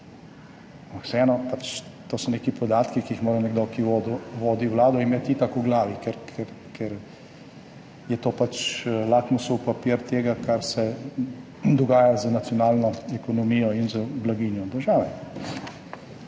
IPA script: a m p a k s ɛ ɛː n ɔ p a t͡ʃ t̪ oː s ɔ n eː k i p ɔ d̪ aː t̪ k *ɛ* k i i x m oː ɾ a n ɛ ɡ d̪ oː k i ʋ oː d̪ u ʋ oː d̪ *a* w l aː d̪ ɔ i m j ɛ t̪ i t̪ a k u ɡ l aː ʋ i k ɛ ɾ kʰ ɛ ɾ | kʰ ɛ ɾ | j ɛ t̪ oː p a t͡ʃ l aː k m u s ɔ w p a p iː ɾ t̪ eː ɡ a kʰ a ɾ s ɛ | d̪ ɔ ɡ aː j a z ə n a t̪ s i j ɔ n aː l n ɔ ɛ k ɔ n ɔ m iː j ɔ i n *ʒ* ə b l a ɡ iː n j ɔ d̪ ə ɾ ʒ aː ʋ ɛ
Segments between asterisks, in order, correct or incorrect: incorrect, incorrect, incorrect

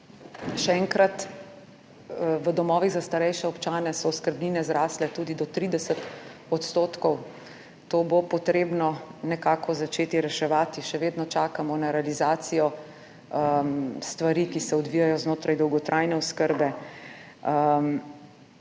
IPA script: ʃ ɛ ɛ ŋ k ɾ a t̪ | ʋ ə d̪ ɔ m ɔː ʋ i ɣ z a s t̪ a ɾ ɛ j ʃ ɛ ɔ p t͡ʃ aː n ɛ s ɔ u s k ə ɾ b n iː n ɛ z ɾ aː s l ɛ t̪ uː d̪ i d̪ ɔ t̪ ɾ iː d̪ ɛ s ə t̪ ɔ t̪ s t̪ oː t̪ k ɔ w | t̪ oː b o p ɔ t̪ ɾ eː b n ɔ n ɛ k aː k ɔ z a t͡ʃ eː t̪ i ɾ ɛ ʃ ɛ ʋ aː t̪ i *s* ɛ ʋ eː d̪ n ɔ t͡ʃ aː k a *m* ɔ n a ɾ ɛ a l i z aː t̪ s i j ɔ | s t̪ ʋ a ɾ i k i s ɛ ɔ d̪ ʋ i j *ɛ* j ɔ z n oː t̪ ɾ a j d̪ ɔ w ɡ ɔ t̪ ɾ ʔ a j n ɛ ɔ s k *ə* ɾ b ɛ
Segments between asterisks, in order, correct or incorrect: incorrect, correct, incorrect, correct

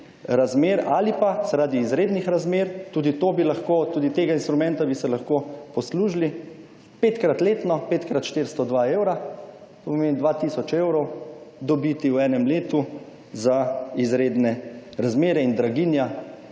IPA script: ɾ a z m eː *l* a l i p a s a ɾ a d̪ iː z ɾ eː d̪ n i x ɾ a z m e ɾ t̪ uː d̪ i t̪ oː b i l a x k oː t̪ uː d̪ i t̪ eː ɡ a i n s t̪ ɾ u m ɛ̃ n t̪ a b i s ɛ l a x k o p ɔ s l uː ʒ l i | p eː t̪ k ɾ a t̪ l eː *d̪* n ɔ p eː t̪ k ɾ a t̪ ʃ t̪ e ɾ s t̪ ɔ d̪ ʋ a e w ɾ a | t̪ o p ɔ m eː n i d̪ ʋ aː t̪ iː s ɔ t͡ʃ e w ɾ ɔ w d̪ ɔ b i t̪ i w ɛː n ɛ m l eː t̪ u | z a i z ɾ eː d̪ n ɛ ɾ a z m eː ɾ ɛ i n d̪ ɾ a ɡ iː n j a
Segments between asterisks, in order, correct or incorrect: incorrect, incorrect

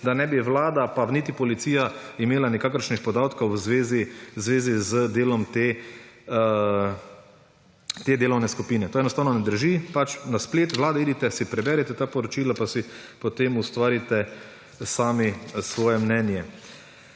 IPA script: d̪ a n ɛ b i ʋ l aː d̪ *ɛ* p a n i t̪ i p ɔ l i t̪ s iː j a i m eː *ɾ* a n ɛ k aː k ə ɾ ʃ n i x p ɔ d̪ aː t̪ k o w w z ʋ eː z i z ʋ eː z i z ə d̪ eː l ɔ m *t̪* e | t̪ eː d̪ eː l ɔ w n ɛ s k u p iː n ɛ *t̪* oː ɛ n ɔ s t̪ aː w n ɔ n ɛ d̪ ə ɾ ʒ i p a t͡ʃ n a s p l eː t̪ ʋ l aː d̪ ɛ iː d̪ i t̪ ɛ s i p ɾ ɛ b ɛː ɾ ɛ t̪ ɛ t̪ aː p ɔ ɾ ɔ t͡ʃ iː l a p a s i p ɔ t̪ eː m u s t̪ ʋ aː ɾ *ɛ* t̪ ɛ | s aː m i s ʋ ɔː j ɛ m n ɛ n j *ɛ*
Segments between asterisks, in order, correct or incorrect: incorrect, incorrect, correct, correct, incorrect, correct

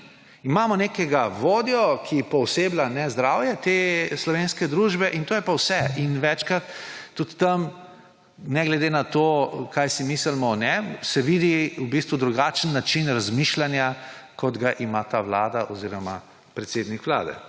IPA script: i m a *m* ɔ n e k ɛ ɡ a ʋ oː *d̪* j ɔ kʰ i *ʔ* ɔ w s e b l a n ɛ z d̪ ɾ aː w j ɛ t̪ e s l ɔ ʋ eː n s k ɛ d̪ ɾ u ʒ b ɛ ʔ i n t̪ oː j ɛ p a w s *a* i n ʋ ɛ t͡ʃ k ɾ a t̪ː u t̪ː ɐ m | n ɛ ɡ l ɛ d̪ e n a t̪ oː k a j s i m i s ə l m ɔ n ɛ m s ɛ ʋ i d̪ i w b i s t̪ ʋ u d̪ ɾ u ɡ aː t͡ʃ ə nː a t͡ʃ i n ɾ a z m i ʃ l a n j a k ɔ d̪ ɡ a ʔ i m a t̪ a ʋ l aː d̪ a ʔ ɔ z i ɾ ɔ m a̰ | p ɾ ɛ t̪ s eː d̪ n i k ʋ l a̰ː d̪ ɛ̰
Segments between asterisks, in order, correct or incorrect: correct, correct, incorrect, incorrect

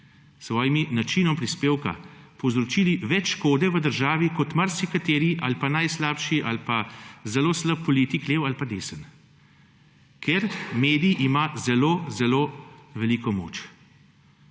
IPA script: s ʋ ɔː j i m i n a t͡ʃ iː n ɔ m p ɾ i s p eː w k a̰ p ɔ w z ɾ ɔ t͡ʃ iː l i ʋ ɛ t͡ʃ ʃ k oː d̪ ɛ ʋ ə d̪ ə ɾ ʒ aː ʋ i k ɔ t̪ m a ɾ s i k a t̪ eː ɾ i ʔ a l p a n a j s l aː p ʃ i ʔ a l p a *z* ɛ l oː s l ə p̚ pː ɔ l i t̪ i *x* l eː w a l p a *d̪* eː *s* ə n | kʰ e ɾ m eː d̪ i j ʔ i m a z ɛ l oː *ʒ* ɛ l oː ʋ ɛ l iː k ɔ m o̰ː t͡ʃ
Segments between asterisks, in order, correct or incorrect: correct, incorrect, correct, correct, incorrect

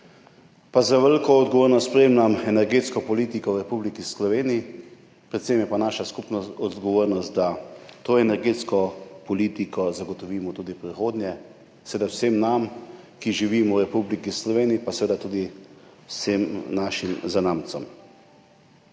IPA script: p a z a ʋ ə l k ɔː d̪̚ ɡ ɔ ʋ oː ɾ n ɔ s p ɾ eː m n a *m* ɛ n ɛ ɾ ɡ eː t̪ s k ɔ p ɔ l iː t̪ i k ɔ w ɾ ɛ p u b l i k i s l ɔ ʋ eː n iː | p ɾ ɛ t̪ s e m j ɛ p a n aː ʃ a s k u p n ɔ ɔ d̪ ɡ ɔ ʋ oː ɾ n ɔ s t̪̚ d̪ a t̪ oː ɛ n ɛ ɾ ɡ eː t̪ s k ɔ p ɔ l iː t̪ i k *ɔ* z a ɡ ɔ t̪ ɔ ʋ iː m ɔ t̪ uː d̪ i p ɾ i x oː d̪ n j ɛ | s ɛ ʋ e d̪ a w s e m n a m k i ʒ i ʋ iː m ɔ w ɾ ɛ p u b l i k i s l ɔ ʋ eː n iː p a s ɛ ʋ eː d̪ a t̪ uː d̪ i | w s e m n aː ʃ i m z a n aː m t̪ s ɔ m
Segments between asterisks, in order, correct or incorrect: correct, correct

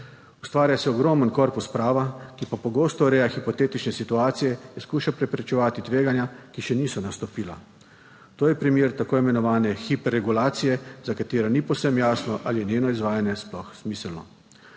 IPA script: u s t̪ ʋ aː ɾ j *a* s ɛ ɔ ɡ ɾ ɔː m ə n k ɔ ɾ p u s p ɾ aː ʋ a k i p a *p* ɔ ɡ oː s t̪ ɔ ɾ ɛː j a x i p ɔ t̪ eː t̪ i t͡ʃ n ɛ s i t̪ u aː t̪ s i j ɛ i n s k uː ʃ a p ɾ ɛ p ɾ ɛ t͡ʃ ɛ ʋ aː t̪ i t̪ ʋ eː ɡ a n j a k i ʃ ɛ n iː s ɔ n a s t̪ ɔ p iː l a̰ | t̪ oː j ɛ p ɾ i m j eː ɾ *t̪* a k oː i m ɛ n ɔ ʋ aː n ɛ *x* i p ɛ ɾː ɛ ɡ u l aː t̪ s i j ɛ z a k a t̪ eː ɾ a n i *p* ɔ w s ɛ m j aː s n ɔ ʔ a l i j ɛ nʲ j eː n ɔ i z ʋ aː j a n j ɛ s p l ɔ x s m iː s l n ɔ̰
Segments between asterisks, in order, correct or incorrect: correct, correct, correct, correct, correct

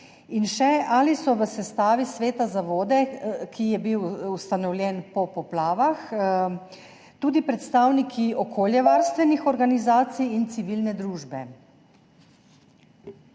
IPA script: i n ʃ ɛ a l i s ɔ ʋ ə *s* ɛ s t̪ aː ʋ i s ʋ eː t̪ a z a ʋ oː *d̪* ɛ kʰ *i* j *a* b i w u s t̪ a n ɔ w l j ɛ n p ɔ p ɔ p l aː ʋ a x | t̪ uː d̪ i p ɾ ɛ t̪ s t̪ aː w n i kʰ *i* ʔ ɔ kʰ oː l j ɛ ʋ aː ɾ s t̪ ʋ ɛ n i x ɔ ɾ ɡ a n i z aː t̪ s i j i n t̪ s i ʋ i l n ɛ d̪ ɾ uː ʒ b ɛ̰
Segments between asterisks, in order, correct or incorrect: correct, correct, correct, incorrect, correct

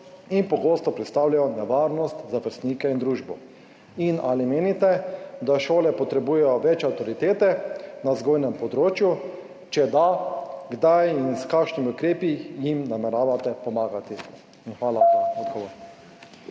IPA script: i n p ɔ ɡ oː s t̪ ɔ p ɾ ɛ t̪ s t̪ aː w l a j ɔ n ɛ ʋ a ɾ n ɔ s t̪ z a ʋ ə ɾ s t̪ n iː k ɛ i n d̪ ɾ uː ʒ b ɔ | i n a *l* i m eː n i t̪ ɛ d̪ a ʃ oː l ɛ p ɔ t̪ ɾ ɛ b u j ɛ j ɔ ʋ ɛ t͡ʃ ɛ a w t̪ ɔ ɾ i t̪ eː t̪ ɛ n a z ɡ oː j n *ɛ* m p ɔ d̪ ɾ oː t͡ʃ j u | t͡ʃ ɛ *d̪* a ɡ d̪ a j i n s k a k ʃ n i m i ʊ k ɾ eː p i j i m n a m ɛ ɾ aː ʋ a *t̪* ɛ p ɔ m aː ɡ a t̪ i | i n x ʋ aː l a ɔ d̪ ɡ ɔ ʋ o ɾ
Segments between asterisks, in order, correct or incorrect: correct, correct, correct, correct

